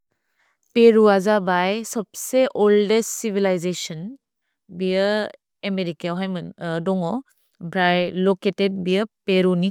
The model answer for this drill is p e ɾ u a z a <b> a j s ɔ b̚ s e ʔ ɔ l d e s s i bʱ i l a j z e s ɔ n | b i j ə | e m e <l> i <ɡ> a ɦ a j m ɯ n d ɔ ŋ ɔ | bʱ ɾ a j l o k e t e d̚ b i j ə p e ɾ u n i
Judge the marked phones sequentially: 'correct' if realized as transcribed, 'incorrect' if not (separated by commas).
correct, incorrect, incorrect